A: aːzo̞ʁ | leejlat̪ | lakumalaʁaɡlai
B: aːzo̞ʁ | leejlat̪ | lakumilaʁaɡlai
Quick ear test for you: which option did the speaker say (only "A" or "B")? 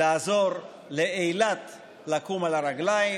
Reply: A